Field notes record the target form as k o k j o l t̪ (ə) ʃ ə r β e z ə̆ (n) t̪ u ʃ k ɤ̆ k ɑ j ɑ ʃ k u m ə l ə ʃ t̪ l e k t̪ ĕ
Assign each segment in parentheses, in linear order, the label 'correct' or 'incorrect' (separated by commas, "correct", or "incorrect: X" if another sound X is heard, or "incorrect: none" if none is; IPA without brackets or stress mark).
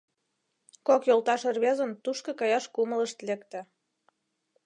incorrect: ɑ, correct